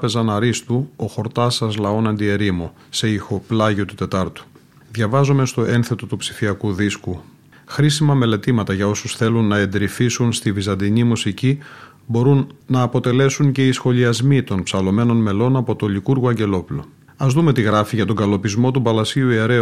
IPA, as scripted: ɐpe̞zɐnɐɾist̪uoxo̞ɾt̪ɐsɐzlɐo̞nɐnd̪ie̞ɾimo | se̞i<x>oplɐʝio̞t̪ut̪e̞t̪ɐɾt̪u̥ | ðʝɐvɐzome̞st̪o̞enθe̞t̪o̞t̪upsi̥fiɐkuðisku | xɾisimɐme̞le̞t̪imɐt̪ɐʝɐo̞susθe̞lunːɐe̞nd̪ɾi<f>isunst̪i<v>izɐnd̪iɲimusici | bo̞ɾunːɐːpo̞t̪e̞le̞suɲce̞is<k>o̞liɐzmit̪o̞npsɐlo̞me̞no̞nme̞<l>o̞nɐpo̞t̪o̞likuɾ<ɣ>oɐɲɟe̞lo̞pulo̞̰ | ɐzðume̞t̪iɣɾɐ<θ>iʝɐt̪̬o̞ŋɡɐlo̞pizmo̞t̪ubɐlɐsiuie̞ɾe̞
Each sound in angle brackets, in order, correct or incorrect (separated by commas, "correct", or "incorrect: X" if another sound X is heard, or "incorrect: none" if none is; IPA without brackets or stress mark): correct, correct, correct, incorrect: x, correct, correct, incorrect: f